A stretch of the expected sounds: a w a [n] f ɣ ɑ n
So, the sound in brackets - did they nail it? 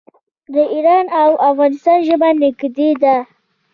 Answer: no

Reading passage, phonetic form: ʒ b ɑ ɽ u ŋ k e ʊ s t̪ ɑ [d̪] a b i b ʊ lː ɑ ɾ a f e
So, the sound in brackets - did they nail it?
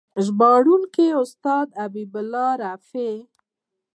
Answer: yes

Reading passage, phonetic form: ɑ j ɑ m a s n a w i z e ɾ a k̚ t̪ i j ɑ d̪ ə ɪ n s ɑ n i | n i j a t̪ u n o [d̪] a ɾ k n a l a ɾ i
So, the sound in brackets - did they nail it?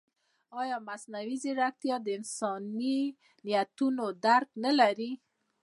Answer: yes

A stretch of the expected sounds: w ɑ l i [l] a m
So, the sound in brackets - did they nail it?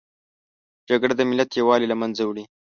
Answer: yes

